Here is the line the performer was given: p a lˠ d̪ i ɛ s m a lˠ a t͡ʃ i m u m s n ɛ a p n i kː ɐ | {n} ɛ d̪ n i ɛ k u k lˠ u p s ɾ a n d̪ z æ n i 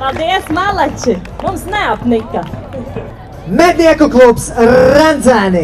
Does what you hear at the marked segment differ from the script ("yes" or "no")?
yes